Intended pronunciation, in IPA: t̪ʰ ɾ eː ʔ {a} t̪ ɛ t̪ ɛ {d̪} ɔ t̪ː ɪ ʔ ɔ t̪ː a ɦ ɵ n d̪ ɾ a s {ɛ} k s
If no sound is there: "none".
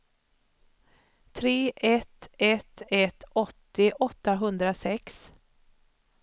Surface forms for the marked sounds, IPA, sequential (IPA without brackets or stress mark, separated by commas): ɛ, t̪, ɛ